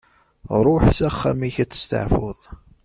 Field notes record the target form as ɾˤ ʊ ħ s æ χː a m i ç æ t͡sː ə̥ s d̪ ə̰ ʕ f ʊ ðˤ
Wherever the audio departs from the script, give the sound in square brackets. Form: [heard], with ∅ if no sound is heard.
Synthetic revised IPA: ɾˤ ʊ ħ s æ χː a m i ç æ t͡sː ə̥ s [t̪] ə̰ ʕ f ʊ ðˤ